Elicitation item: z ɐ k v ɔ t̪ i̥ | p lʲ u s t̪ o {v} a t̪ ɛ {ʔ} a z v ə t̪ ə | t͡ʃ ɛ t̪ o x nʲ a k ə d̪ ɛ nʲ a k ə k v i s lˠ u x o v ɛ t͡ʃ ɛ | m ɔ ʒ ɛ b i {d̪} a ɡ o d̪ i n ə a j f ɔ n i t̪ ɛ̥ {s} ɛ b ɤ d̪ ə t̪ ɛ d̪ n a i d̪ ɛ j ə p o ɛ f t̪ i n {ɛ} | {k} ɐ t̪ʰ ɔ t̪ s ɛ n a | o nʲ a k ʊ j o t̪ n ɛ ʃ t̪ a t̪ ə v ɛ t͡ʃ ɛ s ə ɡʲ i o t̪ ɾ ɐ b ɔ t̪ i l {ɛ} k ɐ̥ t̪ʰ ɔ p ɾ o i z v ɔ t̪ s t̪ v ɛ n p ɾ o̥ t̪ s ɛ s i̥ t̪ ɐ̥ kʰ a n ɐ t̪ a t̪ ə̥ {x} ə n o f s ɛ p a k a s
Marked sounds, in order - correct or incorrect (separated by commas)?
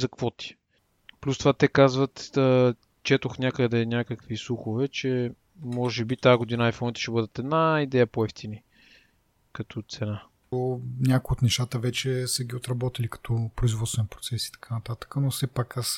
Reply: correct, incorrect, incorrect, incorrect, incorrect, correct, incorrect, incorrect